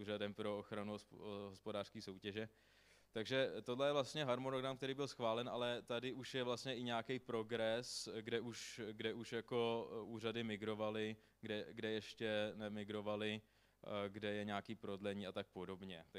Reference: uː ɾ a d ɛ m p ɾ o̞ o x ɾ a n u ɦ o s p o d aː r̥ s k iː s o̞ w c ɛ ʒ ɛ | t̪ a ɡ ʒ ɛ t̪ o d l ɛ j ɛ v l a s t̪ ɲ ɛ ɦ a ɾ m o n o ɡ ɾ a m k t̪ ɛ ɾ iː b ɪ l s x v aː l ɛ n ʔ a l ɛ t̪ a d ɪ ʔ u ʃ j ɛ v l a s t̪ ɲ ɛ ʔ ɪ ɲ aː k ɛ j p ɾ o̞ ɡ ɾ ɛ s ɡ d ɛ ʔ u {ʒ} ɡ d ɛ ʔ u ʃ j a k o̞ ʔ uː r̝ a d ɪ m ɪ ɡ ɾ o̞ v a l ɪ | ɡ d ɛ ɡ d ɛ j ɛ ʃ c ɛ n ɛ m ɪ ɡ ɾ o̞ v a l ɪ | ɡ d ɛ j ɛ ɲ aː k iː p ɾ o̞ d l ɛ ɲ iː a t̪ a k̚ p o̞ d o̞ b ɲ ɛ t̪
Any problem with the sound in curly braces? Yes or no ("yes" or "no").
yes